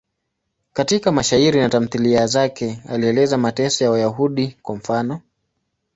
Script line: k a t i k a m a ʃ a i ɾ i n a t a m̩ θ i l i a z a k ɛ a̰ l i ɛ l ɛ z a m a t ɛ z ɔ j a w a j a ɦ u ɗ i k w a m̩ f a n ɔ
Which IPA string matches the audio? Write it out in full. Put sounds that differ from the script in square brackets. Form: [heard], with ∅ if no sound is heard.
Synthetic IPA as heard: k a t i k a m a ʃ a i ɾ i n a t a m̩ θ i l i a z a k ɛ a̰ l i ɛ l ɛ z a m a t ɛ [s] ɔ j a w a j a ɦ u ɗ i k w a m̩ f a n ɔ